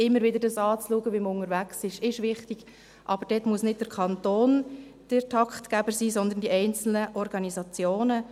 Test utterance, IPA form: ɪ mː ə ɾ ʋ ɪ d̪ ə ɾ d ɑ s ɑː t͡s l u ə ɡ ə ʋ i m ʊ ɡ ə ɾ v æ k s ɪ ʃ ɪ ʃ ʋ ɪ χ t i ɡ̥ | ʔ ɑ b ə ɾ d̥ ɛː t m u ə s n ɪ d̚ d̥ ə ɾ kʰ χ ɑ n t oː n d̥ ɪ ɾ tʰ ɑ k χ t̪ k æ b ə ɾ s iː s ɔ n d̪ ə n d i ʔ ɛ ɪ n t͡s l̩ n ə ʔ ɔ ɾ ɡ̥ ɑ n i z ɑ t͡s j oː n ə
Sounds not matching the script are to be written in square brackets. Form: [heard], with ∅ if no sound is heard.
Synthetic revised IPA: ɪ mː ə ɾ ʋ ɪ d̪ ə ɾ d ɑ s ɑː t͡s l u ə ɡ ə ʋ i m ʊ [ŋ] ə ɾ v æ k s ɪ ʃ ɪ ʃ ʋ ɪ χ t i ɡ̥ | ʔ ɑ b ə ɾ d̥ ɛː t m u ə s n ɪ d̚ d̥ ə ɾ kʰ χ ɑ n t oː n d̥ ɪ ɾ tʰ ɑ k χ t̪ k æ b ə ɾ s iː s ɔ n d̪ ə n d i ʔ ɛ ɪ n t͡s l̩ n ə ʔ ɔ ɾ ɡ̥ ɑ n i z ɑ t͡s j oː n ə